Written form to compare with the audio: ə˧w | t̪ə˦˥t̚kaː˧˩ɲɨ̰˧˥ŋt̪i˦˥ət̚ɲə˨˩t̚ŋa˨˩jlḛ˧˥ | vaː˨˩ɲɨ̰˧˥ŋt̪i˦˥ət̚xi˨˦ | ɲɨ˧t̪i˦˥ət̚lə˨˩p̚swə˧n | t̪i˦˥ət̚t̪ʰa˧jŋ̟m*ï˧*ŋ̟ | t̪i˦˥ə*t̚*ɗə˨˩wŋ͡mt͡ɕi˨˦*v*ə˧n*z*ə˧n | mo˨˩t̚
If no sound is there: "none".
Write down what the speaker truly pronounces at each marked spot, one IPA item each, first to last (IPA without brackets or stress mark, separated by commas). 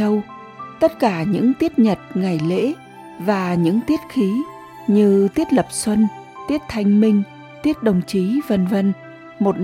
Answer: ï˧, t̚, v, v